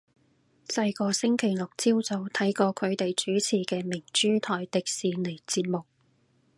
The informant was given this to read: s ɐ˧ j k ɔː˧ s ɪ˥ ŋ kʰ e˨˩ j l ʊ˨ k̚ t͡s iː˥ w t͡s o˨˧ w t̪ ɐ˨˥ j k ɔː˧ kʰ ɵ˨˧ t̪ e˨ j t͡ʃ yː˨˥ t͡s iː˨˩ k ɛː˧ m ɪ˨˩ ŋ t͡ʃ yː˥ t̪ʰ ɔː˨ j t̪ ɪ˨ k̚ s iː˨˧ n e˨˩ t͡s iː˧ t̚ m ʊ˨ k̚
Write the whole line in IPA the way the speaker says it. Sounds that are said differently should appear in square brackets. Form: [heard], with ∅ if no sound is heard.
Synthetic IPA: s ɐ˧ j k ɔː˧ s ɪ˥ ŋ kʰ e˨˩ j l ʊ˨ k̚ t͡s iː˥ w t͡s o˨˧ w [t̪ʰ] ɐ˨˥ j k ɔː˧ kʰ ɵ˨˧ t̪ e˨ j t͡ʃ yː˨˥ [t͡sʰ] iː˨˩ k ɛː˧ m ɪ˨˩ ŋ t͡ʃ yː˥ t̪ʰ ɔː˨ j t̪ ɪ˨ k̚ s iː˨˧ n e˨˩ t͡s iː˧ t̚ m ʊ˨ k̚

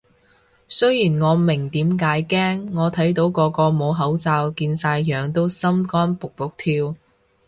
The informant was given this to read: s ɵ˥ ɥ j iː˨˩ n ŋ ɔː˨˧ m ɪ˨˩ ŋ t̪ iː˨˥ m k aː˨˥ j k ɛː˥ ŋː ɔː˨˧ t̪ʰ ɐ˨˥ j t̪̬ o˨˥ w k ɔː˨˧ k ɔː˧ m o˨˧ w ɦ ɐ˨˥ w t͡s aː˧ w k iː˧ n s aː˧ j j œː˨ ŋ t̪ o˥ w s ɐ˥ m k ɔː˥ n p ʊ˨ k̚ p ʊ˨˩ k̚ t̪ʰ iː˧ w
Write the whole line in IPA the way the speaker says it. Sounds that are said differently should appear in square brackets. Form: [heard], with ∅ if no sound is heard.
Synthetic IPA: s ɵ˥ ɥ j iː˨˩ n ŋ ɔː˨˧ m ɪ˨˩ ŋ t̪ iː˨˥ m k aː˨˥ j k ɛː˥ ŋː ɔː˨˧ t̪ʰ ɐ˨˥ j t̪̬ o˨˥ w k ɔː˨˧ k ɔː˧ m o˨˧ w ɦ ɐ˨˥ w t͡s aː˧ w k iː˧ n s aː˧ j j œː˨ ŋ t̪ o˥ w s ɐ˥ m k ɔː˥ n p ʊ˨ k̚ p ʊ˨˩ k̚ t̪ʰ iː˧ w

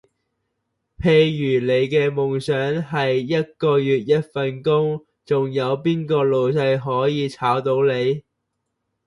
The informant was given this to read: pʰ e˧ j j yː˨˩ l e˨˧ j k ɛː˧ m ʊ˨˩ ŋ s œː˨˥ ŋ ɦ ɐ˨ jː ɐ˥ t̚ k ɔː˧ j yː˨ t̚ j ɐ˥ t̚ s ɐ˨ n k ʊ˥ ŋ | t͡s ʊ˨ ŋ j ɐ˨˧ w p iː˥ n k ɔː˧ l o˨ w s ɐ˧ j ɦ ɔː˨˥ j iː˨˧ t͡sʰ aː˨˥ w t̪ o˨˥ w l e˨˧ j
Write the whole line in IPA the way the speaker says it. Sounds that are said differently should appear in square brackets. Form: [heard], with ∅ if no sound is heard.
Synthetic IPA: pʰ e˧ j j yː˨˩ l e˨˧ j k ɛː˧ m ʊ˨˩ ŋ s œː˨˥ ŋ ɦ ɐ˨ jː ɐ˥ t̚ k ɔː˧ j yː˨ t̚ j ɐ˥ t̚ [f] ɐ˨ n k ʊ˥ ŋ | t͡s ʊ˨ ŋ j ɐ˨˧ w p iː˥ n k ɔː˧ l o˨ w s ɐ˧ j ɦ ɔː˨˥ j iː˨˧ t͡sʰ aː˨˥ w t̪ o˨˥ w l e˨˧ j

